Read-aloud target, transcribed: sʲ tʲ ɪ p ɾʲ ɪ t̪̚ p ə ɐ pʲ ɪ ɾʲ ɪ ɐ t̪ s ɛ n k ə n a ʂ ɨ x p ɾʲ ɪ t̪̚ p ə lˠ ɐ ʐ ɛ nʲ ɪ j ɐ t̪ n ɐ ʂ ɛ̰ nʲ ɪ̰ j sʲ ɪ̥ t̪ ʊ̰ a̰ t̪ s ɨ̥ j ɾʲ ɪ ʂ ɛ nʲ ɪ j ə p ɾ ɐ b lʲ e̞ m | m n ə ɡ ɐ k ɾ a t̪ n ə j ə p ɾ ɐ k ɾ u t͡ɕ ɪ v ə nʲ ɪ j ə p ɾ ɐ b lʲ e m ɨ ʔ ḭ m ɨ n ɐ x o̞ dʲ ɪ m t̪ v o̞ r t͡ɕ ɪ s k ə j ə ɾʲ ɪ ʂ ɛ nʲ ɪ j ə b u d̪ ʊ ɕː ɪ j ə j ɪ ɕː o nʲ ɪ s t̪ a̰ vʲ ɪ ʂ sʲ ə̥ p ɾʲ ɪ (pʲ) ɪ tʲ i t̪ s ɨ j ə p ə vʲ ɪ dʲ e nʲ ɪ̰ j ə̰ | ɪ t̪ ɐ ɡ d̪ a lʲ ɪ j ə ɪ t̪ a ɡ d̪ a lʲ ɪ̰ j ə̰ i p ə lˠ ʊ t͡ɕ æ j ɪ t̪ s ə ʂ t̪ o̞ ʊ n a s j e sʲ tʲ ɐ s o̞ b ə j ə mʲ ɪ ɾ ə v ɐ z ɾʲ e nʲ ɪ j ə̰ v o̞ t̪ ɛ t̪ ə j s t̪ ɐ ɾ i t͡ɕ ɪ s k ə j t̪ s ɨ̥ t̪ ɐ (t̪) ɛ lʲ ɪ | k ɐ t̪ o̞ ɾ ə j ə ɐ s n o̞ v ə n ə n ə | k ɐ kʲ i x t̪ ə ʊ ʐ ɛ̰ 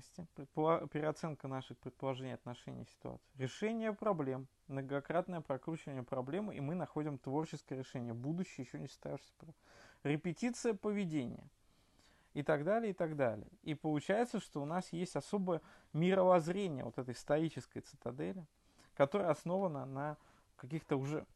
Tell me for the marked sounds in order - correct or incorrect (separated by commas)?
correct, incorrect